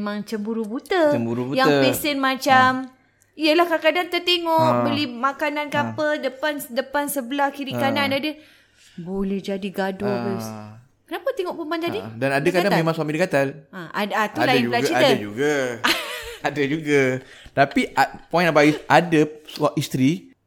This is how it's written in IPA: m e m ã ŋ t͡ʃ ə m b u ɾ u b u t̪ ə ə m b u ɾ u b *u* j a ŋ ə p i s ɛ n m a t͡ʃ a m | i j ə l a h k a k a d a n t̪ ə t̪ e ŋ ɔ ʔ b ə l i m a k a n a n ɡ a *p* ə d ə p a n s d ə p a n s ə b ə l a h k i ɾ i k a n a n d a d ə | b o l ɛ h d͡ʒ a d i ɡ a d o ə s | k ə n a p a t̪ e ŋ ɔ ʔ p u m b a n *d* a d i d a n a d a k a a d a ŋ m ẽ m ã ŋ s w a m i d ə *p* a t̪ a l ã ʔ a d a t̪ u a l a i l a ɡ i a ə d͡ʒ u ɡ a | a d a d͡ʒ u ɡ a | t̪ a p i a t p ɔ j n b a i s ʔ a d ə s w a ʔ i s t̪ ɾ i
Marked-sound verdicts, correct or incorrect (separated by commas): correct, correct, incorrect, incorrect